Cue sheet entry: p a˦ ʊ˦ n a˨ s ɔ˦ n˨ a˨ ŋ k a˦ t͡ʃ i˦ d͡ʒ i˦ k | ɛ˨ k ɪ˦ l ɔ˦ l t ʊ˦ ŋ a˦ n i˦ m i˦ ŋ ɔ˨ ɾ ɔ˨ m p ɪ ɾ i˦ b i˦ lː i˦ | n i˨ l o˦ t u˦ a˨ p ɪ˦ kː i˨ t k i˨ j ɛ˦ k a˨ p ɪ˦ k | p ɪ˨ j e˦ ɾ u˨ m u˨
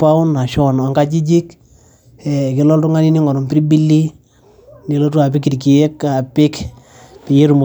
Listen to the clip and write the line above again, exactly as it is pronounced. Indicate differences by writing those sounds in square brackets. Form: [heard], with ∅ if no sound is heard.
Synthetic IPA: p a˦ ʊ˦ n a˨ [ʃ] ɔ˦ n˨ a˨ ŋ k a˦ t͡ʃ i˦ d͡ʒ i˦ k | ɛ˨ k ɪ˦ l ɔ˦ l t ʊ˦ ŋ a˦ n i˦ [n] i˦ ŋ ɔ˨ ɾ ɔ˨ m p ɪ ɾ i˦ b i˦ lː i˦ | n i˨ l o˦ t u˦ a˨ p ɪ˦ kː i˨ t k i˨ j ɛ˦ k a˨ p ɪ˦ k | p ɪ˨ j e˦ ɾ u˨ m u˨